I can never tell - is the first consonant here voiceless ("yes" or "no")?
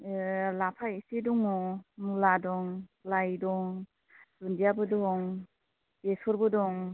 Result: no